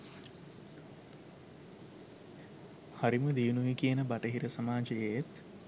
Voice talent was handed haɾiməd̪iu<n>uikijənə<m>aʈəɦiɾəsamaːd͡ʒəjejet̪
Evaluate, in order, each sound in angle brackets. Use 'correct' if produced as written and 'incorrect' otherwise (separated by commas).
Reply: correct, incorrect